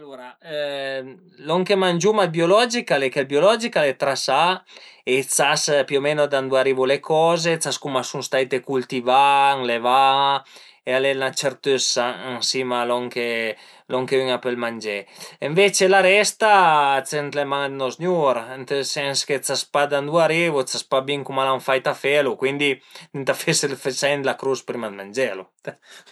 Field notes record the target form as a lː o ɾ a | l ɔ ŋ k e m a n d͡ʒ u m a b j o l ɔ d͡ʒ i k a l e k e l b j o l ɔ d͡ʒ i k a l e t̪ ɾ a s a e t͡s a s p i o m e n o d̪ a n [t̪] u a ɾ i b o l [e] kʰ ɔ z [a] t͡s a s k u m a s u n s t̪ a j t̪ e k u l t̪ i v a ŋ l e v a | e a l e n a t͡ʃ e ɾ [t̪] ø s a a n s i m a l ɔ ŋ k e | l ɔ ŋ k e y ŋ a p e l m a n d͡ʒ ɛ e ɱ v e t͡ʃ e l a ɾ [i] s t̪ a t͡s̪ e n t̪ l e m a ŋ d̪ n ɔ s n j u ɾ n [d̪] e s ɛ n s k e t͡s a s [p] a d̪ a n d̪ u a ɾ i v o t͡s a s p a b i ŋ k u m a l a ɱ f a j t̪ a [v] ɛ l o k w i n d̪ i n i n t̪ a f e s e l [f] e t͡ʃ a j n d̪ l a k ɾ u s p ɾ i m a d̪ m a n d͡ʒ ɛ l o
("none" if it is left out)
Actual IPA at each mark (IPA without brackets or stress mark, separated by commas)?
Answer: d̪, e, e, t̪, ɛ, t̪, p, f, f